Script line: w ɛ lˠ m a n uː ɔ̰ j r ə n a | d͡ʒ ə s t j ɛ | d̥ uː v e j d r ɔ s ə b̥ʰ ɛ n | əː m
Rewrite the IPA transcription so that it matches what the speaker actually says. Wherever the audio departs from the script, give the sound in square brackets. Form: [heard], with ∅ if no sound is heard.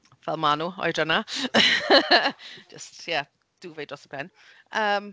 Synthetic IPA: [v] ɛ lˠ m a n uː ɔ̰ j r ə n a | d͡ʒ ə s t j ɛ | d̥ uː v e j d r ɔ s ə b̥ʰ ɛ n | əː m